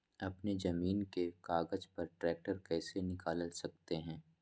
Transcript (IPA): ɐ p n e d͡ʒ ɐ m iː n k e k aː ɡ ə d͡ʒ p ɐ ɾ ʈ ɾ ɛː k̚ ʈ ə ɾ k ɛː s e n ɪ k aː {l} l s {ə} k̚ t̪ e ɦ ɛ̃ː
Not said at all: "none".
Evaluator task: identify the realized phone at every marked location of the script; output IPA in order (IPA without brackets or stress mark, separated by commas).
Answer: l, ɐ